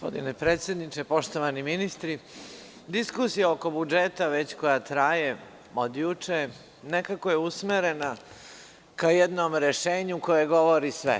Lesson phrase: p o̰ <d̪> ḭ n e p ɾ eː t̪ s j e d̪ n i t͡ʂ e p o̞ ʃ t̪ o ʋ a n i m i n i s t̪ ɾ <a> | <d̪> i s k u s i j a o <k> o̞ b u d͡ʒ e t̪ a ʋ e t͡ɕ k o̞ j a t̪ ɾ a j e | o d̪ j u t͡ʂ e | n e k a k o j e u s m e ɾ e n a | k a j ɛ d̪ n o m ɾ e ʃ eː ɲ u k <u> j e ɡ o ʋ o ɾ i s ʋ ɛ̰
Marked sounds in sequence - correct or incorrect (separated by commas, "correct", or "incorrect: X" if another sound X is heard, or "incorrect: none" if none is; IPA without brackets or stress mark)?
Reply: correct, incorrect: i, correct, correct, incorrect: o